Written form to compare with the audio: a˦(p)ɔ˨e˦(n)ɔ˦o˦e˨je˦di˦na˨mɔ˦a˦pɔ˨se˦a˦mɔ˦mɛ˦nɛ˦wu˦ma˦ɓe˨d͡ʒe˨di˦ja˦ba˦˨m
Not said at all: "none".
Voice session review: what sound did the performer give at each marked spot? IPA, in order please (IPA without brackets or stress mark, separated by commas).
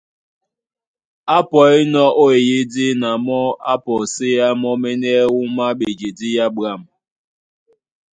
p, n